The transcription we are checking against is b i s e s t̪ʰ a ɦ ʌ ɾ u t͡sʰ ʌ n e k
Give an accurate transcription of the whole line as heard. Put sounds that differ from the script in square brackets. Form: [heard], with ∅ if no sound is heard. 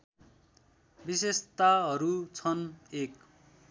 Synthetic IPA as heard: b i s e s [t̪] a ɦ ʌ ɾ u t͡sʰ ʌ n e k